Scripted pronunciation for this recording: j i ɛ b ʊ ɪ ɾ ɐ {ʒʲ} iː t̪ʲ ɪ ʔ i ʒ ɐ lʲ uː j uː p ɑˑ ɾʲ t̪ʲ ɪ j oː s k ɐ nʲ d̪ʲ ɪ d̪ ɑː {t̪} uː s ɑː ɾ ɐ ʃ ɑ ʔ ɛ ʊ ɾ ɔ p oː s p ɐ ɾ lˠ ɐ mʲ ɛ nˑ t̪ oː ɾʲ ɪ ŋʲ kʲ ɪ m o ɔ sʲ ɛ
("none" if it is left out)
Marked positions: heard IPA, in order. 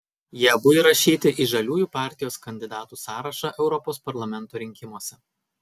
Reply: ʃʲ, t̪

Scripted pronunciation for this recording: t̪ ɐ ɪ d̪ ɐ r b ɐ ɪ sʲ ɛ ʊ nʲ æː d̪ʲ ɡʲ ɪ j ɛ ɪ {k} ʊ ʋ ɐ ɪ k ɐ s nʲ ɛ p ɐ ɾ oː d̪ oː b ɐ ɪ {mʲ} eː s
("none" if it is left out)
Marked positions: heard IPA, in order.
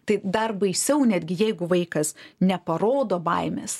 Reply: ɡ, mʲ

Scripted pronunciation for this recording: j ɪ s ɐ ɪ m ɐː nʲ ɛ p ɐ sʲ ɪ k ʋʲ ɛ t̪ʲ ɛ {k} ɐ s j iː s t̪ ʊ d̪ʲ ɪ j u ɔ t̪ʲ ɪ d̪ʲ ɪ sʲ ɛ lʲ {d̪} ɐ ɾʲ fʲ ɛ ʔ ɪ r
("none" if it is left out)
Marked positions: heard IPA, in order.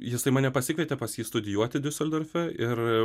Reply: p, d̪

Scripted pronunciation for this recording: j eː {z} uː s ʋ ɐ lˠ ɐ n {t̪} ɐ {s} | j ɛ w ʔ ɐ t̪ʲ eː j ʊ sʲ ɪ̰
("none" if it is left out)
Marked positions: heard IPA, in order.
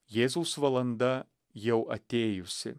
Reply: z, d̪, none

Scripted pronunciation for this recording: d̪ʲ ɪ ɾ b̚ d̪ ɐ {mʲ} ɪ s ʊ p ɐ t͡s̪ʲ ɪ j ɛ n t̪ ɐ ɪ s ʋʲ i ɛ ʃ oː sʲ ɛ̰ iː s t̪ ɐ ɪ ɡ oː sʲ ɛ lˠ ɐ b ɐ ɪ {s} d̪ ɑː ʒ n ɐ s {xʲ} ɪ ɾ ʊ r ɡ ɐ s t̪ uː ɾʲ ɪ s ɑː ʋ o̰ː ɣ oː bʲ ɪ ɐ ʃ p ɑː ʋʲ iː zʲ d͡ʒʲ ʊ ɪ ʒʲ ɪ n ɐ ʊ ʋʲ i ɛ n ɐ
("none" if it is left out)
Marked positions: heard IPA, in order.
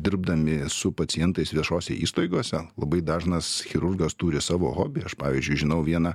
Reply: mʲ, none, xʲ

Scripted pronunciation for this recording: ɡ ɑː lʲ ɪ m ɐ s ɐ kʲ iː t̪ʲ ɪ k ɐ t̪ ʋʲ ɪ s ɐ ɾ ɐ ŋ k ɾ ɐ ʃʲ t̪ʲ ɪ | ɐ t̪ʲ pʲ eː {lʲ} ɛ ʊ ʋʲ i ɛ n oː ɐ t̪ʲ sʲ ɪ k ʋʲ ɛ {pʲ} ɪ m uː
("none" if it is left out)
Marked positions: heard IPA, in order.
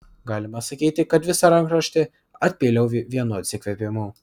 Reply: lʲ, pʲ

